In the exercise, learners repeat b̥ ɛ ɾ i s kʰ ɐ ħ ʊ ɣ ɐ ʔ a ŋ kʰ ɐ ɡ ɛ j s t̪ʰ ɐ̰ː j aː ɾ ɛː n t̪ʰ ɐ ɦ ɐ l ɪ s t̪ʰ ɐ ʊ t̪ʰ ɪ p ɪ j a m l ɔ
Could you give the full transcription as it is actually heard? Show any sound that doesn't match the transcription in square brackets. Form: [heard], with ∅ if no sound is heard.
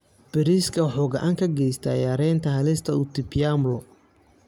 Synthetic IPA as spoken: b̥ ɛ ɾ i s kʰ ɐ ħ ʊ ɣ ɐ ʔ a ŋ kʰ ɐ ɡ ɛ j s t̪ʰ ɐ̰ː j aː ɾ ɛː n t̪ʰ ɐ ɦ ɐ l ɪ s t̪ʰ ɐ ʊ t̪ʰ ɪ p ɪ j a m l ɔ